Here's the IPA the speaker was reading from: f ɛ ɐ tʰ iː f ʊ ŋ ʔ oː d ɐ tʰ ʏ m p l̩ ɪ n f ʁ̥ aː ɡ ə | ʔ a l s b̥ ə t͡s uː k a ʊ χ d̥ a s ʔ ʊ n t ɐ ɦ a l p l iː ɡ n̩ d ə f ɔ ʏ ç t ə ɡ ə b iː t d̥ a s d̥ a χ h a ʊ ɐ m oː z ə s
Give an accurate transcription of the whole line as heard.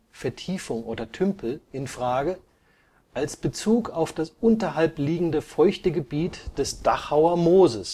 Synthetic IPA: f ɛ ɐ tʰ iː f ʊ ŋ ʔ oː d ɐ tʰ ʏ m p l̩ ɪ n f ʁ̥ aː ɡ ə | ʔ a l s b̥ ə t͡s uː k a ʊ f d̥ a s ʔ ʊ n t ɐ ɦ a l p l iː ɡ ŋ̩ d ə f ɔ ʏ ç t ə ɡ ə b iː t d̥ ɛ s d̥ a χ h a ʊ ɐ m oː z ə s